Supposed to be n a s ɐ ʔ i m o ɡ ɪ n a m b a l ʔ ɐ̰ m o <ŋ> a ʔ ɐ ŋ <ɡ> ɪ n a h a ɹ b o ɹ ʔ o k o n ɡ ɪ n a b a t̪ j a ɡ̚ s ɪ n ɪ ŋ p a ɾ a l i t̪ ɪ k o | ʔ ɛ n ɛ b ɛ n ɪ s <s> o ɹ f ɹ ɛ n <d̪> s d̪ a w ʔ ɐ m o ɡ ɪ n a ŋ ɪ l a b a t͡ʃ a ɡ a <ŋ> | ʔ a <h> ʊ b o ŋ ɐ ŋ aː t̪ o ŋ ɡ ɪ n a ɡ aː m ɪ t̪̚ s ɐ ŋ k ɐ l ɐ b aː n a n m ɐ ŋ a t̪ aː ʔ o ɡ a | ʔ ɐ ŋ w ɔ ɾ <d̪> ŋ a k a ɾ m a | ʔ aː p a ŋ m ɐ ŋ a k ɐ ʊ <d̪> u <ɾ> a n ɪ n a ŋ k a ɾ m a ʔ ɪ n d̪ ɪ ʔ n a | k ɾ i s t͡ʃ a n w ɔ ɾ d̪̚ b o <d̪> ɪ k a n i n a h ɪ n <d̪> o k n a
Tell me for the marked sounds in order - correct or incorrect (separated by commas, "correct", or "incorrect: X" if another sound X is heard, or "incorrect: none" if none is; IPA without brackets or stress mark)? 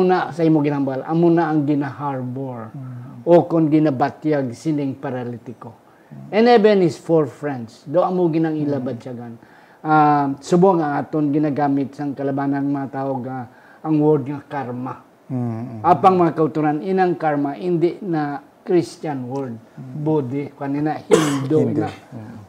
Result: incorrect: n, correct, incorrect: f, correct, incorrect: n, incorrect: s, correct, incorrect: t̪, correct, correct, correct